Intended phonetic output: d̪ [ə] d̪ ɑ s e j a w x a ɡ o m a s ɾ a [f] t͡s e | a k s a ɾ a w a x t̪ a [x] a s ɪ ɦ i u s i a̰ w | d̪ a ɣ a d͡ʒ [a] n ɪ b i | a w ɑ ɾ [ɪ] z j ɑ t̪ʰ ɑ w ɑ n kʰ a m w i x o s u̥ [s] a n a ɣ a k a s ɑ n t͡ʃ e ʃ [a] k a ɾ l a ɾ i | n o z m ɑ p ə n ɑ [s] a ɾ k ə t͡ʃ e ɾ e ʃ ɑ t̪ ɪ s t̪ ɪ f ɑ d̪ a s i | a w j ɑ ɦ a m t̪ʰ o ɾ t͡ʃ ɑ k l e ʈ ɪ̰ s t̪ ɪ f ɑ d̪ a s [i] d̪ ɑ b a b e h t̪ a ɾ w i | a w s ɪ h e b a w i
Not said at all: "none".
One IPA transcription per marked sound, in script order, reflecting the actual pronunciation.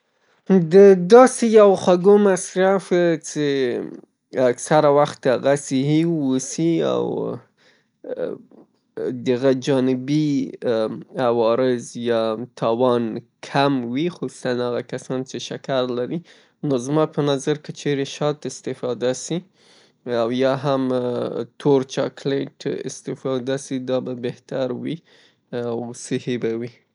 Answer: ə, f, ɣ, ɑ, ɪ, s, a, z, i

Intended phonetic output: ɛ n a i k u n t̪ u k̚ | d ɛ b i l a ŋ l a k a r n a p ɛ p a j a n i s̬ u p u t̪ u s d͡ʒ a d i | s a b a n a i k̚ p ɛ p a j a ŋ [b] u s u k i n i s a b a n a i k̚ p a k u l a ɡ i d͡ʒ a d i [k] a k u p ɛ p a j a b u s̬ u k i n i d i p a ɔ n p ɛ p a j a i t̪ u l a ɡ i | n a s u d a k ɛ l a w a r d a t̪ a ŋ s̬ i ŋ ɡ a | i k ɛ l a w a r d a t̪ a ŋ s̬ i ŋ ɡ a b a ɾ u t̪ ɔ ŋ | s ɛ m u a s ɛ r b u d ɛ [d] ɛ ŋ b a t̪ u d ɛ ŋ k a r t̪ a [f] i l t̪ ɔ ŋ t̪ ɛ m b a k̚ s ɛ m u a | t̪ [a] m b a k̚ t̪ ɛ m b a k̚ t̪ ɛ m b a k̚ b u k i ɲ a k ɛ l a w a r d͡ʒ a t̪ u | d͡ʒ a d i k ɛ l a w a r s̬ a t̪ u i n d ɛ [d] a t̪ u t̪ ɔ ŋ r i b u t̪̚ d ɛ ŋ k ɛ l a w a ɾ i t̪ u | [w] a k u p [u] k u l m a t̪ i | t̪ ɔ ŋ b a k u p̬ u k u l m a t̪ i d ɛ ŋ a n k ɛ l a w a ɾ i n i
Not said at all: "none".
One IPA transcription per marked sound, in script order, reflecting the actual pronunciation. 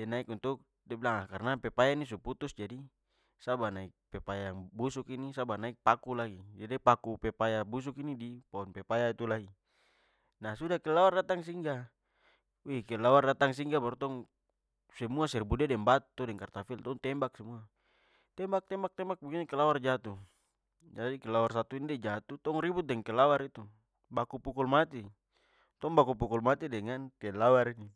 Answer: b, p, d, f, ɛ, d͡ʒ, b, u

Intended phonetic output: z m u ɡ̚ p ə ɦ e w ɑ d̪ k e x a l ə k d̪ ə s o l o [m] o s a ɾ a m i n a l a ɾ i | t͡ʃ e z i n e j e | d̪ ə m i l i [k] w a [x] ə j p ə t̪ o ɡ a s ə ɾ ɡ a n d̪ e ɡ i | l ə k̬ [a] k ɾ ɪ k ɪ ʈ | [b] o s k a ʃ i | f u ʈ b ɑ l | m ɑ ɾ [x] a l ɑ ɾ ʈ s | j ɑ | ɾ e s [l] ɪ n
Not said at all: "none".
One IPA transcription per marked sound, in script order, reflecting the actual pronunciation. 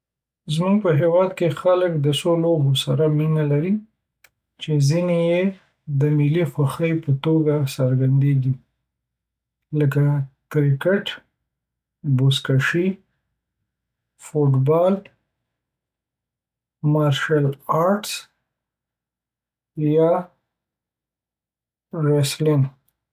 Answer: b, x, x, a, b, ʃ, l

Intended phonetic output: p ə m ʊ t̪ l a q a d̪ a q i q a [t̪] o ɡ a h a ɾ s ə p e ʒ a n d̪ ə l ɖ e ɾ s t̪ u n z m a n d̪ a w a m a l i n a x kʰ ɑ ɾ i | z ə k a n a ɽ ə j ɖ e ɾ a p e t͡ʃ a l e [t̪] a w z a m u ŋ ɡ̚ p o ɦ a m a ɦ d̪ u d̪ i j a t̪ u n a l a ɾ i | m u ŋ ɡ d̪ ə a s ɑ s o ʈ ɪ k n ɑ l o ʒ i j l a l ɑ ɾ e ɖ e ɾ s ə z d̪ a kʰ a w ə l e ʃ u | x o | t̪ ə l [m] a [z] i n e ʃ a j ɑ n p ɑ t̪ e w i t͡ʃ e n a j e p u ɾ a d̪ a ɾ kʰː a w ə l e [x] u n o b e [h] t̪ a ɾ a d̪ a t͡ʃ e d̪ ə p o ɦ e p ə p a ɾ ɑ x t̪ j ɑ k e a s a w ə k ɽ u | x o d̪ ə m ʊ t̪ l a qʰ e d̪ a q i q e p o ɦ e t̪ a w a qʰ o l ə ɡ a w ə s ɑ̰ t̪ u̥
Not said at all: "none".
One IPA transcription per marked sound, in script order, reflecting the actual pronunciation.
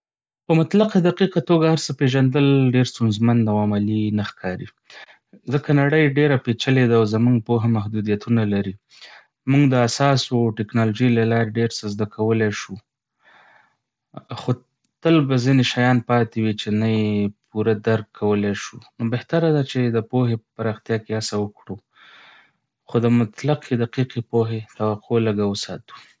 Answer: t̪, d̪, b, z, ʃ, h

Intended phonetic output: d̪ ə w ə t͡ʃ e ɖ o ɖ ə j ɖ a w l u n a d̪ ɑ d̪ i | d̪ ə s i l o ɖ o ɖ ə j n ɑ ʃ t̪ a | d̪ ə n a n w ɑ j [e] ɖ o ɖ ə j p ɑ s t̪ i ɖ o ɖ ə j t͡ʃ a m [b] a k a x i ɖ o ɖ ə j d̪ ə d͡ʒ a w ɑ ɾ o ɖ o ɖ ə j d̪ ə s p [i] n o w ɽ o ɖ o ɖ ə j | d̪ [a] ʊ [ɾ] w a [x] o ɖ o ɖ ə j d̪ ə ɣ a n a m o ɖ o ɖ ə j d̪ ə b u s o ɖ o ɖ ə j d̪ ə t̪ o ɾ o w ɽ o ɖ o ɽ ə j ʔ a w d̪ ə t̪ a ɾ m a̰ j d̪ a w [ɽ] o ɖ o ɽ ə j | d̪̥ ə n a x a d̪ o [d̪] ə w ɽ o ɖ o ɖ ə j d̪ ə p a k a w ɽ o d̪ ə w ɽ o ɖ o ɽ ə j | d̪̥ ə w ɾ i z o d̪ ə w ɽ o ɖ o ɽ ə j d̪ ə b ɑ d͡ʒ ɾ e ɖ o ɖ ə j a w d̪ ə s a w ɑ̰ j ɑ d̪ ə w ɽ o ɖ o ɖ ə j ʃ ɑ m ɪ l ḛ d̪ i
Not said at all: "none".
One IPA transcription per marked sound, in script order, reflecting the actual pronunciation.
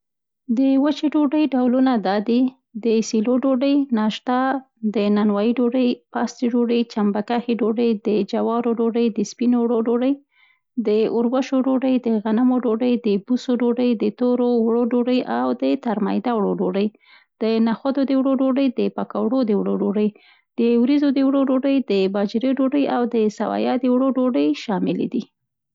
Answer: i, b, i, ə, ɾ, ʃ, ɽ, d̪

